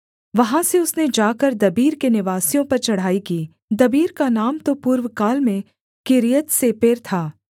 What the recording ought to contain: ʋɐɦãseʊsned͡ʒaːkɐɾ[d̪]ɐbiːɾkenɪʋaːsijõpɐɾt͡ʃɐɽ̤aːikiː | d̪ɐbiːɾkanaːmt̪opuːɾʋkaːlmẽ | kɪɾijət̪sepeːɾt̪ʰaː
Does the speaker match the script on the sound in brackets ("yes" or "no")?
yes